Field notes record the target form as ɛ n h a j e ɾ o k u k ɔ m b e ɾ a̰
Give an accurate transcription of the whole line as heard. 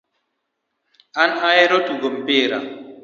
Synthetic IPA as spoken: a n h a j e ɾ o t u ɡ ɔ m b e ɾ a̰

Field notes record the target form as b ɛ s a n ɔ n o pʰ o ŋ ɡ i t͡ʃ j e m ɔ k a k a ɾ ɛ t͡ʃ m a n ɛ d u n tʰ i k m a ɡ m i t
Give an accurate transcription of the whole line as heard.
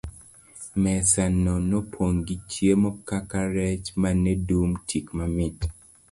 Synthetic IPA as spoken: m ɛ s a n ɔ n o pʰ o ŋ ɡ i t͡ʃ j e m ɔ k a k a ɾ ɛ t͡ʃ m a n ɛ d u m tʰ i k m a m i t

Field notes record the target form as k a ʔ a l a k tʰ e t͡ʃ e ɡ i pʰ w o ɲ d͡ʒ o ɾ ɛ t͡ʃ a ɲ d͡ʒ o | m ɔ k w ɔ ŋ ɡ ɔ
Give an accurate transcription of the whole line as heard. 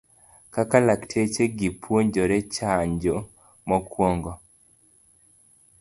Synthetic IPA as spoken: k a k a l a k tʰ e t͡ʃ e ɡ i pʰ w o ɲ d͡ʒ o ɾ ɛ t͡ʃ a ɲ d͡ʒ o | m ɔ k w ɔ ŋ ɡ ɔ

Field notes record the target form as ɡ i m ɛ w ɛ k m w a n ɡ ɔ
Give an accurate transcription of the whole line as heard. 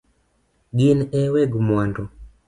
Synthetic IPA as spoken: ɡ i n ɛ w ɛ ɡ m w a n d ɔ

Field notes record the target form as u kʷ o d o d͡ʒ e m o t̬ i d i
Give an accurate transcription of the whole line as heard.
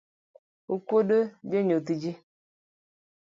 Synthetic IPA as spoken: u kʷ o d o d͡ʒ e ɲ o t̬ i d͡ʒ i

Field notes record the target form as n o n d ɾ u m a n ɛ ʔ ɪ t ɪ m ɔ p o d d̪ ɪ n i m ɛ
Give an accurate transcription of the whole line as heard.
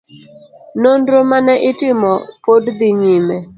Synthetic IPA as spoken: n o n d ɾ o m a n ɛ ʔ ɪ t ɪ m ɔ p o d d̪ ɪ ɲ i m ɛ

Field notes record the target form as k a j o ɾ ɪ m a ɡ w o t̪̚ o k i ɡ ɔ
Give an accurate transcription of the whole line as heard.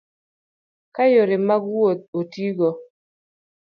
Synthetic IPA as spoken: k a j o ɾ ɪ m a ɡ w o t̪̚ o t i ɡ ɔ

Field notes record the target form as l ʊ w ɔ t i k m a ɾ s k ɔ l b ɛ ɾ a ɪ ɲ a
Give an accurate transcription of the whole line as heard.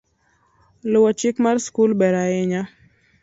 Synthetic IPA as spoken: l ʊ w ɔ t͡ʃ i k m a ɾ s k u l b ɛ ɾ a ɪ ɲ a

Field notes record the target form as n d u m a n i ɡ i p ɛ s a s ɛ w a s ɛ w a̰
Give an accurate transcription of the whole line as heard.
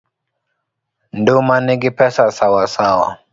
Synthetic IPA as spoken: n d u m a n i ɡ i p ɛ s a s a w a s a w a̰

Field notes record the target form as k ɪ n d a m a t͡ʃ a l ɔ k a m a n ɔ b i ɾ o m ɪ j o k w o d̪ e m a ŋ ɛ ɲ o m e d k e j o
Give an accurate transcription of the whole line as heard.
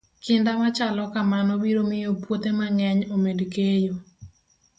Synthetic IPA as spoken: k ɪ n d a m a t͡ʃ a l ɔ k a m a n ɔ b i ɾ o m ɪ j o p w o t̪ e m a ŋ ɛ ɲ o m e d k e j o

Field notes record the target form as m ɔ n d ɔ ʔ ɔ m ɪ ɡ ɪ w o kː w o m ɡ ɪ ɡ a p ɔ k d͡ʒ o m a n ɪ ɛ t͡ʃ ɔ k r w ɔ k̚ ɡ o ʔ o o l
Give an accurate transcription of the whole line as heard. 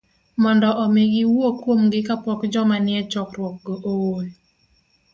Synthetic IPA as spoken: m ɔ n d ɔ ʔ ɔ m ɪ ɡ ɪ w o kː w o m ɡ ɪ k a p ɔ k d͡ʒ ɔ m a n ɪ ɛ t͡ʃ ɔ k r w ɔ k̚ ɡ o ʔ o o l

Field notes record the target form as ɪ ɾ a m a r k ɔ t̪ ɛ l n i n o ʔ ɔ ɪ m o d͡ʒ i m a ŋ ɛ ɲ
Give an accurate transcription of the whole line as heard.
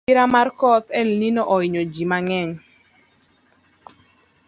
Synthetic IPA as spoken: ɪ ɾ a m a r k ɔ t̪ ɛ l n i n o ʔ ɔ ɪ ɲ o d͡ʒ i m a ŋ ɛ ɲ

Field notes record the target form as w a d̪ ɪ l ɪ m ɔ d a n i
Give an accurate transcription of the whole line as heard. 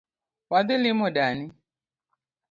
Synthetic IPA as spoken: w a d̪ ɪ l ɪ m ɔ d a n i

